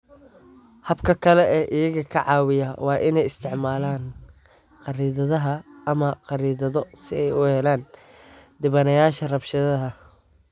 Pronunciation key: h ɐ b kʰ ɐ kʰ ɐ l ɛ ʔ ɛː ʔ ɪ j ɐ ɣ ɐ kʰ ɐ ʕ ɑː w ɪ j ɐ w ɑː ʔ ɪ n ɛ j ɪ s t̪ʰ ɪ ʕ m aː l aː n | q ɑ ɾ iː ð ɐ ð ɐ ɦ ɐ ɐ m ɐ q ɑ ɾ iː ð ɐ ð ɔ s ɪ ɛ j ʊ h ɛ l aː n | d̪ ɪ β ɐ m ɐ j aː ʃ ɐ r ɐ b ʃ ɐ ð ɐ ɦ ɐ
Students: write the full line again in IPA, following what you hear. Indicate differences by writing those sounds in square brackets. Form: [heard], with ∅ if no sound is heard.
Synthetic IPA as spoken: h ɐ b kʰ ɐ kʰ ɐ l ɛ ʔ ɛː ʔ ɪ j ɐ ɣ ɐ kʰ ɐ ʕ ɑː w ɪ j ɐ w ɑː ʔ ɪ n ɛ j ɪ s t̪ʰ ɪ ʕ m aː l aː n | q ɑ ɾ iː ð ɐ ð ɐ ɦ ɐ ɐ m ɐ q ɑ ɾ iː ð ɐ ð ɔ s ɪ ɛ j ʊ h ɛ l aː n | d̪ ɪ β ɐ [n] ɐ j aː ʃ ɐ r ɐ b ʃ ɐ ð ɐ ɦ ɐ